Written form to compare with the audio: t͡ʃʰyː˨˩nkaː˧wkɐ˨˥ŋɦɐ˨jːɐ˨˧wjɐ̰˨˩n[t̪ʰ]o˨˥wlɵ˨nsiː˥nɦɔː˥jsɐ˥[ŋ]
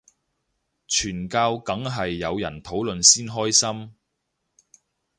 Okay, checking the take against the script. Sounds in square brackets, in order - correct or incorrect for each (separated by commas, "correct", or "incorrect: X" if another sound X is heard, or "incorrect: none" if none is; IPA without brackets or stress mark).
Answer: correct, incorrect: m